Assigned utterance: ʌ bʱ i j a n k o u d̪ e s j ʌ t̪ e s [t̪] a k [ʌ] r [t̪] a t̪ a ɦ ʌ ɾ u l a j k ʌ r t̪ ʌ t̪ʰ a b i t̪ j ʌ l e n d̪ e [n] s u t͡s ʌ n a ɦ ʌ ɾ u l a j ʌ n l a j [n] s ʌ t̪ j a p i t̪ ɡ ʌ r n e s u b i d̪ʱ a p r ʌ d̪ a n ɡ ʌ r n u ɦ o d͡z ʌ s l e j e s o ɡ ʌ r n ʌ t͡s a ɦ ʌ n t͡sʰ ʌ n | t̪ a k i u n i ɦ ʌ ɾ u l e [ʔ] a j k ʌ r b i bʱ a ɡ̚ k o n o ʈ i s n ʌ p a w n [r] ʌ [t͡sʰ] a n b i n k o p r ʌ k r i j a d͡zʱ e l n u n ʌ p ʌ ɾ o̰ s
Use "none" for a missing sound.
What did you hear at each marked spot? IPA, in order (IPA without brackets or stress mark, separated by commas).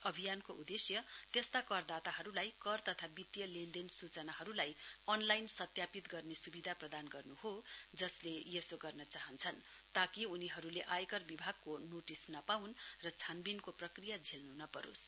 t̪, ʌ, d̪, n, n, ʔ, r, t͡sʰ